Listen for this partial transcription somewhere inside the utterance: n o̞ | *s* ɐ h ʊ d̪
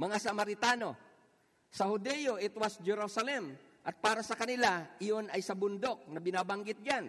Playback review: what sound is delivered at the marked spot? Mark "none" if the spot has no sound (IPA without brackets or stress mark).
s